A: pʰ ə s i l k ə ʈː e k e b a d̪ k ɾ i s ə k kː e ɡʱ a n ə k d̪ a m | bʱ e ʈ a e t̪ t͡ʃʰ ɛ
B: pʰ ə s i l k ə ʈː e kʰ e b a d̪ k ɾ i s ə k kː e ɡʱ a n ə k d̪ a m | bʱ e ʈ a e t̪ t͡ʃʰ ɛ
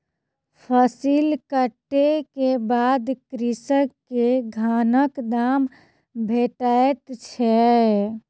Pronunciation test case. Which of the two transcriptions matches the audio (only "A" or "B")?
A